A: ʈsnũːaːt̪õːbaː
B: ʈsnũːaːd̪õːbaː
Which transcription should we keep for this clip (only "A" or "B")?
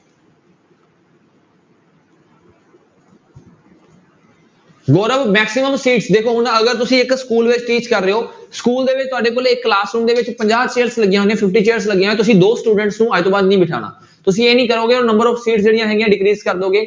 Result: A